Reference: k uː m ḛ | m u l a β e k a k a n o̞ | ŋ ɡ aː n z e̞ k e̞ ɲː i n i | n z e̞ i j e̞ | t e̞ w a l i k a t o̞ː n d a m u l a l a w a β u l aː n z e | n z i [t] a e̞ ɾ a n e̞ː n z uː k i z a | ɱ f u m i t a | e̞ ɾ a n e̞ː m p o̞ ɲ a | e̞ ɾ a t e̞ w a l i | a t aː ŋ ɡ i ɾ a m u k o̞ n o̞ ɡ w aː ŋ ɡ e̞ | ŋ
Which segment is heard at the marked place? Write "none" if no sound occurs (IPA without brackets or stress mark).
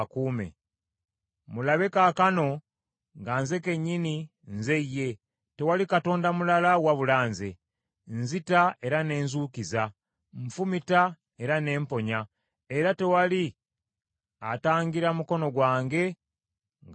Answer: t